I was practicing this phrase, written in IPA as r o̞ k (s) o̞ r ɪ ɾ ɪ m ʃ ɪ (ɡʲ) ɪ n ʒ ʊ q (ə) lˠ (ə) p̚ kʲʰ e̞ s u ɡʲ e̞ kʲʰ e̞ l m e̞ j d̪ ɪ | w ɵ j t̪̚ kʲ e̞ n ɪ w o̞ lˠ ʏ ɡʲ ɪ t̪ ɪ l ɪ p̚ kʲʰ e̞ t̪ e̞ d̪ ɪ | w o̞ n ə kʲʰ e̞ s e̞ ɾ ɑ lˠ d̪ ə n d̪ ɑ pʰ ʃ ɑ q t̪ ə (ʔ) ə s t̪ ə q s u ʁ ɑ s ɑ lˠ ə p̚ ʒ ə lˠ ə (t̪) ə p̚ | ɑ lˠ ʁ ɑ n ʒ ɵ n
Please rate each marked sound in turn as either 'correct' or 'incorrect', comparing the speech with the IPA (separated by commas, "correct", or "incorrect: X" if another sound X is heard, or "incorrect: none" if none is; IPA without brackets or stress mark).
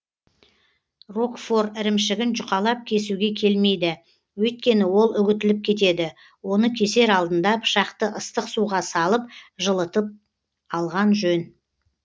incorrect: f, correct, incorrect: ɑ, incorrect: ɑ, correct, correct